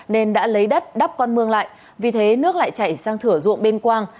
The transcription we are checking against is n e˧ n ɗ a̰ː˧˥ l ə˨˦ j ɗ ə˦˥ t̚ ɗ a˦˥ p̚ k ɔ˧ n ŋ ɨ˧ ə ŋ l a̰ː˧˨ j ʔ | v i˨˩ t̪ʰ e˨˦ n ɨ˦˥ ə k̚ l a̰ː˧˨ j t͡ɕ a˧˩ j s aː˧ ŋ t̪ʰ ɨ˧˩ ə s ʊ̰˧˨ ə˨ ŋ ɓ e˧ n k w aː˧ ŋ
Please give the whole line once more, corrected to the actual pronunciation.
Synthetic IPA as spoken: n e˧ n ɗ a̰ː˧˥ l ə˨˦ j ɗ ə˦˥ t̚ ɗ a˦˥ p̚ k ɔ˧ n m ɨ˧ ə ŋ l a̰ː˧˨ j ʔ | v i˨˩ t̪ʰ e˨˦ n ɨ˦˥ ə k̚ l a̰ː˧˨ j t͡ɕ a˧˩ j s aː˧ ŋ t̪ʰ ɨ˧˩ ə z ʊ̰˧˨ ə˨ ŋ ɓ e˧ n k w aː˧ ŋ